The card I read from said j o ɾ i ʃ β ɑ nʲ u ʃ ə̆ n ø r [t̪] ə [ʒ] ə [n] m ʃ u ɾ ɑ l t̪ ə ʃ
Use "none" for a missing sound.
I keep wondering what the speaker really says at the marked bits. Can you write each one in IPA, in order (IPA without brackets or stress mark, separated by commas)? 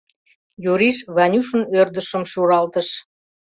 d̪, ʃ, none